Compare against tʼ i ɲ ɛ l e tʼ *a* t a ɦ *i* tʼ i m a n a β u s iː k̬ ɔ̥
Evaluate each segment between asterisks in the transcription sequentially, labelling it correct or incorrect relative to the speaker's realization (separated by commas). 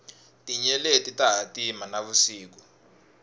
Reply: incorrect, incorrect